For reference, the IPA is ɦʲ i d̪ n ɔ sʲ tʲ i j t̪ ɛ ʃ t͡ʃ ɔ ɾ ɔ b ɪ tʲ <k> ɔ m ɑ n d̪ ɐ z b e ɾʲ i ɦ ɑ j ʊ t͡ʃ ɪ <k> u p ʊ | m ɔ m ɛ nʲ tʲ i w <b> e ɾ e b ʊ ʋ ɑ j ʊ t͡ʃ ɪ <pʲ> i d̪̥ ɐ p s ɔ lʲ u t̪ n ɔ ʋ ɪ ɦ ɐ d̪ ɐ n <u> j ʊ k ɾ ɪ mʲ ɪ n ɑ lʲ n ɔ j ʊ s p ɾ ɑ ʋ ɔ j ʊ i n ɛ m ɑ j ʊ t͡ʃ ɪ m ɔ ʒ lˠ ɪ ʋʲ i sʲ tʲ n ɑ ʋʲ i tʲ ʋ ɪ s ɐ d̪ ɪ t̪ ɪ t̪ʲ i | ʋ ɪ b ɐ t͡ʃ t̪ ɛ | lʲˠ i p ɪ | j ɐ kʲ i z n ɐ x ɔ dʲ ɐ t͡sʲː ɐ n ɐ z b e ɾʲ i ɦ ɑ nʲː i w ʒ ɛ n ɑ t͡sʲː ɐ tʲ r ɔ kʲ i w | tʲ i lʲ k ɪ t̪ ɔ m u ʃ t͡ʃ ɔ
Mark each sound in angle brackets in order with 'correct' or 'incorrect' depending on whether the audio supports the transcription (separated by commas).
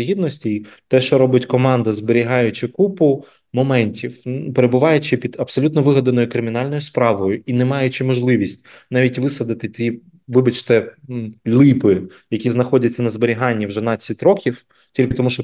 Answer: correct, correct, incorrect, correct, incorrect